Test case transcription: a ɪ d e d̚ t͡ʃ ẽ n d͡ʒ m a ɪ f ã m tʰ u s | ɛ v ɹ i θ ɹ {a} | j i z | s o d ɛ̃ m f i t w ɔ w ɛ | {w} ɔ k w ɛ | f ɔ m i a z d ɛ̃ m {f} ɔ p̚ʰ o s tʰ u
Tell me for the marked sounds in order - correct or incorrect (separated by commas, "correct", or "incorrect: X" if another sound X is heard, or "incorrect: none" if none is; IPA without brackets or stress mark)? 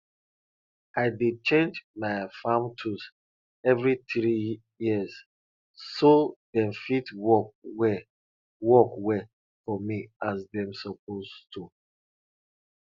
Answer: incorrect: i, correct, incorrect: s